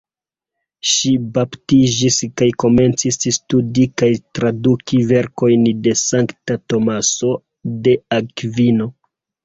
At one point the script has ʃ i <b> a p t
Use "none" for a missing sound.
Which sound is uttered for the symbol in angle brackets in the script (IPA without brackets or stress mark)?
b